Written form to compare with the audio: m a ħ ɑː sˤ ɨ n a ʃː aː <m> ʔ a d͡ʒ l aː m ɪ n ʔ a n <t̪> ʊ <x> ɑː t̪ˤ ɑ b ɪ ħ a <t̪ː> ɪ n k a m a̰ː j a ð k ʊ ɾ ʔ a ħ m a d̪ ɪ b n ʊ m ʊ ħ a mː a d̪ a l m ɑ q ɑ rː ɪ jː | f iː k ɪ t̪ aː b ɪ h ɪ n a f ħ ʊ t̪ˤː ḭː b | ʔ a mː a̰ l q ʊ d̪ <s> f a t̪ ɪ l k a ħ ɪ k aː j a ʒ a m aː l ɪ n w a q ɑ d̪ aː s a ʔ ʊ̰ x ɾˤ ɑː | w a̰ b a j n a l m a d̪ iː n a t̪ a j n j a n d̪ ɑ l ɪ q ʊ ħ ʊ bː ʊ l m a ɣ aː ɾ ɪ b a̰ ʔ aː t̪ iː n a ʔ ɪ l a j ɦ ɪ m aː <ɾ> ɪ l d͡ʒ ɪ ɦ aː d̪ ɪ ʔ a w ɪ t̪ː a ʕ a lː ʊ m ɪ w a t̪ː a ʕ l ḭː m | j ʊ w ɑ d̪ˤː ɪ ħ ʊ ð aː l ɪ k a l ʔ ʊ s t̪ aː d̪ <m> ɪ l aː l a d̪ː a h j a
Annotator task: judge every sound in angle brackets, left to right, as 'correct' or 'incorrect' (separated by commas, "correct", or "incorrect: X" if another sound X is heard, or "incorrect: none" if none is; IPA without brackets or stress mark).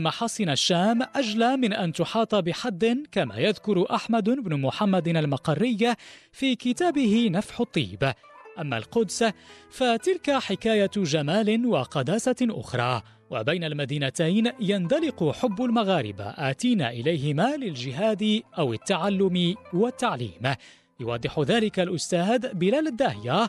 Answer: correct, correct, incorrect: ħ, incorrect: d̪ː, correct, incorrect: l, incorrect: b